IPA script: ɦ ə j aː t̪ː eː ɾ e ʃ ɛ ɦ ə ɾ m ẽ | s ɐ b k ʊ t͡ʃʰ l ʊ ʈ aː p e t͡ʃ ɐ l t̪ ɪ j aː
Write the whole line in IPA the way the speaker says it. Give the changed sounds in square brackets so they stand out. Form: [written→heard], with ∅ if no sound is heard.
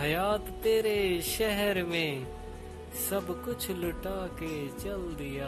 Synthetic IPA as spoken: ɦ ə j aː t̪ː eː ɾ e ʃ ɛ ɦ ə ɾ m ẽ | s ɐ b k ʊ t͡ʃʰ l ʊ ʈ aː [p→k] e t͡ʃ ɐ l [t̪→d̪] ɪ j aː